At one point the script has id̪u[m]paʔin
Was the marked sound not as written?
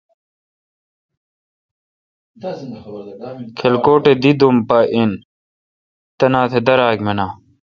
no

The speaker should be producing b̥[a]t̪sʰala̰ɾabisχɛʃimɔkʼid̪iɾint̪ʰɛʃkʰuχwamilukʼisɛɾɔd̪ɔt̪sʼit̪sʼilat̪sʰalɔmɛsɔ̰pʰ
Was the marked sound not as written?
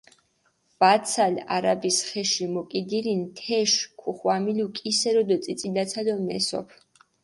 no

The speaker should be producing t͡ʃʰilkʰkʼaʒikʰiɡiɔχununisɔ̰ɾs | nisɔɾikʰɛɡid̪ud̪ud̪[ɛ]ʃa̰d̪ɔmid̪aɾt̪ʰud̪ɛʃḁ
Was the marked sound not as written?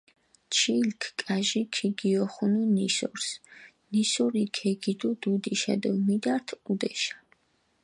yes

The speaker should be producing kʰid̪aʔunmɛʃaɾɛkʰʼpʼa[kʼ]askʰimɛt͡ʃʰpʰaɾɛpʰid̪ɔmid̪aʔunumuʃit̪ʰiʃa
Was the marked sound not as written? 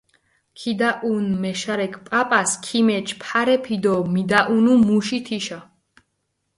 yes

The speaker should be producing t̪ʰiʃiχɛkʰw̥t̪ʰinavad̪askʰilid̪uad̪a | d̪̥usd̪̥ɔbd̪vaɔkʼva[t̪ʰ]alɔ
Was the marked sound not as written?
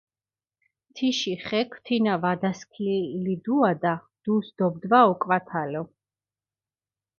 no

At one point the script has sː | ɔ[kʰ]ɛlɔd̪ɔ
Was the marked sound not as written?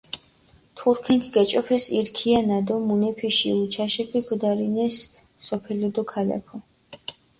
yes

